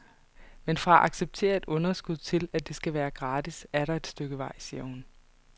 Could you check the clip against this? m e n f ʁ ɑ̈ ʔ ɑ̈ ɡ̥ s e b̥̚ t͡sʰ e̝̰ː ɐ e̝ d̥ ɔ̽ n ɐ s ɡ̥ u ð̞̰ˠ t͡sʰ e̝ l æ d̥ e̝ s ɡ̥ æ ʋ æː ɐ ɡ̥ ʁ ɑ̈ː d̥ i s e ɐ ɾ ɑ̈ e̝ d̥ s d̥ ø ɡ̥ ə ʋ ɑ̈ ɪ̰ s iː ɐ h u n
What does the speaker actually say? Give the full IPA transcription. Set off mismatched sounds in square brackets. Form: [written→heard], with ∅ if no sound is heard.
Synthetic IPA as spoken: m e n f ʁ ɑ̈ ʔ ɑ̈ ɡ̥ s e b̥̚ t͡sʰ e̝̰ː ɐ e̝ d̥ ɔ̽ n ɐ s ɡ̥ u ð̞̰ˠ t͡sʰ e̝ l æ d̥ e̝ s ɡ̥ æ ʋ æː ɐ ɡ̥ ʁ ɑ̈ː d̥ i s [e→æ] ɐ ɾ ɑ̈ e̝ d̥ s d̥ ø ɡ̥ ə ʋ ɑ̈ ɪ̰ s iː ɐ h u n